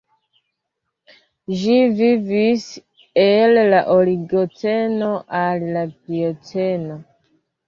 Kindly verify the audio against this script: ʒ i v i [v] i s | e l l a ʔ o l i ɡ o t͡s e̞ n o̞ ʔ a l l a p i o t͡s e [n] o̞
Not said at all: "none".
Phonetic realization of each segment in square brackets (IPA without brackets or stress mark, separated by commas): v, n